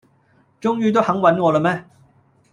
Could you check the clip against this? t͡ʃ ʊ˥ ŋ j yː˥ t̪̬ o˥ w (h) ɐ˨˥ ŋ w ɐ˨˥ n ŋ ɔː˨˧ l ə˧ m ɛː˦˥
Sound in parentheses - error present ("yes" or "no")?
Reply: no